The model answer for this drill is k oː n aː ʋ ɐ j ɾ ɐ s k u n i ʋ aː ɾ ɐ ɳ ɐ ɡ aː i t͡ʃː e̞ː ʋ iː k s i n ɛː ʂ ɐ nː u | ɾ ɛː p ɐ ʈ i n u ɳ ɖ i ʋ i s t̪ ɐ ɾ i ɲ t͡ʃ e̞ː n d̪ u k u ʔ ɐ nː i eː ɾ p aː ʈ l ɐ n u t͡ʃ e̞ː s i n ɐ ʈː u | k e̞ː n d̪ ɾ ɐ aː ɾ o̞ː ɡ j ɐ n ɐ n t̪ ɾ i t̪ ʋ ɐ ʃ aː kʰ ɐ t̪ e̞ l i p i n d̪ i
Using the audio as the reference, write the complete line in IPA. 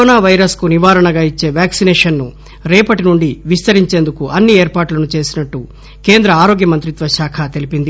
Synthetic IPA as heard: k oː n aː ʋ ɐ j ɾ ɐ s k u n i ʋ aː ɾ ɐ ɳ ɐ ɡ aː i t͡ʃː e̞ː ʋ aː k s i n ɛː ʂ ɐ nː u | ɾ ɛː p ɐ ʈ i n u ɳ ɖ i ʋ i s t̪ ɐ ɾ i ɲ t͡ʃ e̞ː n d̪ u k u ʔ ɐ nː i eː ɾ p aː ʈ l ɐ n u t͡ʃ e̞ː s i n ɐ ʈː u | k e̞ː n d̪ ɾ ɐ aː ɾ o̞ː ɡ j ɐ m ɐ n t̪ ɾ i t̪ ʋ ɐ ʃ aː kʰ ɐ t̪ e̞ l i p i n d̪ i